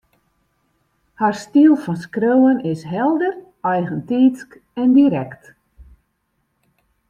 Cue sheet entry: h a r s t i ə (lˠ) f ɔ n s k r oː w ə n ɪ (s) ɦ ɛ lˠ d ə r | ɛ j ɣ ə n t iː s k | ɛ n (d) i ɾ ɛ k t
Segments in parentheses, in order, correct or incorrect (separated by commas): correct, correct, correct